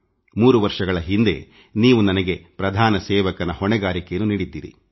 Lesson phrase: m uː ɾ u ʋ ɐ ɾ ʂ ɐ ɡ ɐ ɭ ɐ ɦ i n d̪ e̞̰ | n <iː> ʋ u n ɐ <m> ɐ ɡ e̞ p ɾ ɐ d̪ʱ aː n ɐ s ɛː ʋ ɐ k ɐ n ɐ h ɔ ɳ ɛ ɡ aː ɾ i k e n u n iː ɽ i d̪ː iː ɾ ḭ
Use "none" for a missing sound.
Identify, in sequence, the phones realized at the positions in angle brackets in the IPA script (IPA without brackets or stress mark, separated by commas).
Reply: iː, n